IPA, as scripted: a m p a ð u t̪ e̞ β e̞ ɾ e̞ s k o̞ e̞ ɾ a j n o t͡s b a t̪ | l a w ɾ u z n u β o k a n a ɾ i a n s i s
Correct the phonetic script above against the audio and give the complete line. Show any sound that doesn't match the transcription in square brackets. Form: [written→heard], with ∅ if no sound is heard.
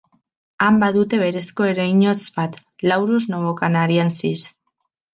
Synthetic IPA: a m [p→b] a ð u t̪ e̞ β e̞ ɾ e̞ s k o̞ e̞ ɾ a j [n→ɲ] o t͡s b a t̪ | l a w ɾ u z n [u→o] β o k a n a ɾ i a n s i s

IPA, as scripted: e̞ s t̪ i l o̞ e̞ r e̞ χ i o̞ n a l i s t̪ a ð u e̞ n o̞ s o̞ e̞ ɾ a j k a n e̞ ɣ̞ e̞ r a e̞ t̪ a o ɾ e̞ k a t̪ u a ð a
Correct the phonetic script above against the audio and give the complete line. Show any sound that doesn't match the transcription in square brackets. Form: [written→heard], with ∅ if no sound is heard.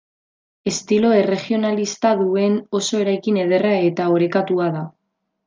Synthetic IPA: e̞ s t̪ i l o̞ e̞ r e̞ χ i o̞ n a l i s t̪ a ð u e̞ n o̞ s o̞ e̞ ɾ a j k [a→i] n e̞ [ɣ̞→ð̞] e̞ r a e̞ t̪ a o ɾ e̞ k a t̪ u a ð a

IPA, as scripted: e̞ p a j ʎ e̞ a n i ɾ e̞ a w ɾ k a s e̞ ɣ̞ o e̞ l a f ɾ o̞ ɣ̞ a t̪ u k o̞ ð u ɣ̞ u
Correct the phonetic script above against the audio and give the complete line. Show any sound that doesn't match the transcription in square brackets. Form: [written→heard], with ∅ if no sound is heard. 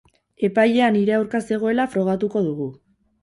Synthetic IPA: e̞ p a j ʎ e̞ a n i ɾ e̞ a w ɾ k a s e̞ ɣ̞ o e̞ l a f ɾ o̞ ɣ̞ a t̪ u k o̞ ð u ɣ̞ u

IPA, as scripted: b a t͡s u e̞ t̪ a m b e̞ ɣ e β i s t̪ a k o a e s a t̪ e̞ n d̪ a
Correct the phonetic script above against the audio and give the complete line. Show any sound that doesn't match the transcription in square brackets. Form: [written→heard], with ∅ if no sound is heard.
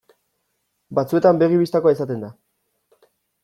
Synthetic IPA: b a t͡s u e̞ t̪ a m b e̞ ɣ [e→i] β i s t̪ a k o a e s a t̪ e̞ n d̪ a

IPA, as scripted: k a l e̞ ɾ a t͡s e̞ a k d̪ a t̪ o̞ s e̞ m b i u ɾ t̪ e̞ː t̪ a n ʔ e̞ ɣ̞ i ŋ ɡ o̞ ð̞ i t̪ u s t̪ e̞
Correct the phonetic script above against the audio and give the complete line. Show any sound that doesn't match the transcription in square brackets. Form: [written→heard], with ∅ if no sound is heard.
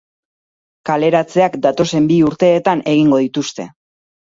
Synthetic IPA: k a l e̞ ɾ a t͡s e̞ a k d̪ a t̪ o̞ s e̞ m b i u ɾ t̪ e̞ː t̪ a n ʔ e̞ ɣ̞ i ŋ ɡ o̞ ð̞ i t̪ u s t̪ e̞

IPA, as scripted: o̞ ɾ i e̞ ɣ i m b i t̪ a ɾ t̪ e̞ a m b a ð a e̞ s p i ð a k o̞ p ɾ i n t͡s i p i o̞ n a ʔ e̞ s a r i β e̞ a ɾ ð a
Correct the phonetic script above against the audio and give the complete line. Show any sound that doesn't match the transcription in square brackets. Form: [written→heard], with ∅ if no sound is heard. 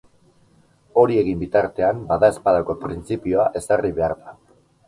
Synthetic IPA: o̞ ɾ i e̞ ɣ i m b i t̪ a ɾ t̪ e̞ a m b a ð a e̞ s p [i→a] ð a k o̞ p ɾ i n t͡s i p i o̞ [n→∅] a ʔ e̞ s a r i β e̞ a ɾ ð a

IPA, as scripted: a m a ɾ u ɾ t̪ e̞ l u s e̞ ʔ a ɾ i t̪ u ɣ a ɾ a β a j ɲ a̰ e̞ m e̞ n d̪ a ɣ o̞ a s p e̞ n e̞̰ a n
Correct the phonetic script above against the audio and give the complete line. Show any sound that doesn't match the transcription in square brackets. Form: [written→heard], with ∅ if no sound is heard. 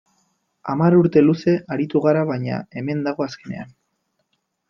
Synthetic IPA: a m a ɾ u ɾ t̪ e̞ l u s e̞ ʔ a ɾ i t̪ u ɣ a ɾ a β a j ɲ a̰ e̞ m e̞ n d̪ a ɣ o̞ a s [p→k] e̞ n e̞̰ a n

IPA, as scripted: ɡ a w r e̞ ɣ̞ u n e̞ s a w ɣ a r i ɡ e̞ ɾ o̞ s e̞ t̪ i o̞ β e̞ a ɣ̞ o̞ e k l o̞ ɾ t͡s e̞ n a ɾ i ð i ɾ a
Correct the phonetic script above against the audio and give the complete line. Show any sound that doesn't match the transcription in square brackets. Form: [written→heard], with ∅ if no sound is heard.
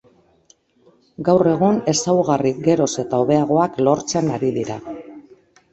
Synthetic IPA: ɡ a w r e̞ ɣ̞ u n e̞ s a w ɣ a r i ɡ e̞ ɾ o̞ s e̞ t̪ [i→a] o̞ β e̞ a ɣ̞ o̞ [e→a] k l o̞ ɾ t͡s e̞ n a ɾ i ð i ɾ a

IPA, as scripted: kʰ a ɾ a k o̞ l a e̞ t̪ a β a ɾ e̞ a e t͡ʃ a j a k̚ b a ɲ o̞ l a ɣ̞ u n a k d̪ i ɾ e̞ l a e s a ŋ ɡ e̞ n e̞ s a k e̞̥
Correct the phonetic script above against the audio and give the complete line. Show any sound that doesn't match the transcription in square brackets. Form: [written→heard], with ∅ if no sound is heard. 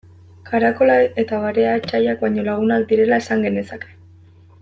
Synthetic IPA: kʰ a ɾ a k o̞ l a e̞ t̪ a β a ɾ e̞ a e t͡ʃ a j a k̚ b a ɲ o̞ l a ɣ̞ u n a k d̪ i ɾ e̞ l a e s a ŋ ɡ e̞ n e̞ s a k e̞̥

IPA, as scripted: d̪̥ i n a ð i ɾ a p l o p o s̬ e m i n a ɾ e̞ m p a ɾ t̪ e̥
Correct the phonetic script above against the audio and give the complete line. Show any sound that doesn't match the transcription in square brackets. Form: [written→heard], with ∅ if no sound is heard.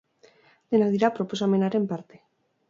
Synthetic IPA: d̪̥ [i→e] n a ð i ɾ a p [l→ɾ] o p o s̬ [e→a] m [i→e] n a ɾ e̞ m p a ɾ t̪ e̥

